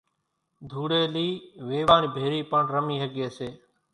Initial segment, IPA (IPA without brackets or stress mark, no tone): d̪ʱ